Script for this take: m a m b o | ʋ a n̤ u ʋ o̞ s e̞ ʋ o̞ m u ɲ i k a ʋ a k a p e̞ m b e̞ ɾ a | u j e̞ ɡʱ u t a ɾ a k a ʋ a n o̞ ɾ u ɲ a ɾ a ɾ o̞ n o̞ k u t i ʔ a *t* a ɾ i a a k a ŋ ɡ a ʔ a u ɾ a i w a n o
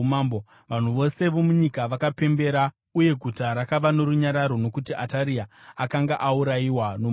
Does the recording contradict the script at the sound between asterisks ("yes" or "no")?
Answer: no